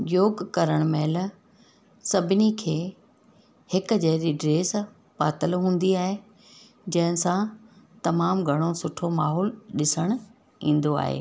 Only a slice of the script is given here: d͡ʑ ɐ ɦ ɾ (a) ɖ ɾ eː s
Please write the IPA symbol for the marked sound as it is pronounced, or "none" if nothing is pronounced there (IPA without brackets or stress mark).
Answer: i